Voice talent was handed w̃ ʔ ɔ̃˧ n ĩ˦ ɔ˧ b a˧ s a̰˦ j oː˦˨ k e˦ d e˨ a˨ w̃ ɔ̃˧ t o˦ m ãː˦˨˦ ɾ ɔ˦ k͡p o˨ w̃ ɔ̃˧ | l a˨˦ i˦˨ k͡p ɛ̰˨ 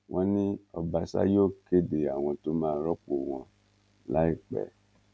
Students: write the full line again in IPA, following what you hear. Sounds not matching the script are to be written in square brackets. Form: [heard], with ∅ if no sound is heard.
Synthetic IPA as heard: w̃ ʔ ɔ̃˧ n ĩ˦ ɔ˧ b a˧ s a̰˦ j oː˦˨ k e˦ d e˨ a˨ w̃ ɔ̃˧ t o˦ m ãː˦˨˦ ɾ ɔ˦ k͡p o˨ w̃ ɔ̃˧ | l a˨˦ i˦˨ k͡p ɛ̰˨